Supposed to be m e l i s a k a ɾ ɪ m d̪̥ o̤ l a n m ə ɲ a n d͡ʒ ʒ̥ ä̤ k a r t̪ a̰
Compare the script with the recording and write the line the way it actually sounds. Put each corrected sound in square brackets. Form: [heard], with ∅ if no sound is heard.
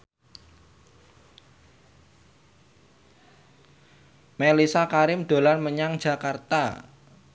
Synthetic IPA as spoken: m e l i s a k a ɾ ɪ m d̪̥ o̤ l a n m ə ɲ a [ŋ] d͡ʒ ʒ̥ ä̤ k a r t̪ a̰